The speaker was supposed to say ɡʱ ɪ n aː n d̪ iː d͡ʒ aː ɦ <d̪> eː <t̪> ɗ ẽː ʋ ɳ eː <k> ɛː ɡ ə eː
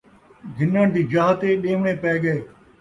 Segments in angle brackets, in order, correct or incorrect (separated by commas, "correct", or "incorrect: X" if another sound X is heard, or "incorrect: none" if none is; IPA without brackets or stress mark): incorrect: t̪, incorrect: none, incorrect: p